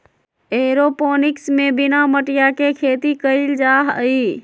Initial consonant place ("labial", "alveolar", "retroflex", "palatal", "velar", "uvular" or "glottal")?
alveolar